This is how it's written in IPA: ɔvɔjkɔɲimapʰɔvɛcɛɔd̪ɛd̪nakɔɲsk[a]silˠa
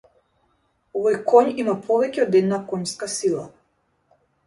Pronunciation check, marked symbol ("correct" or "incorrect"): correct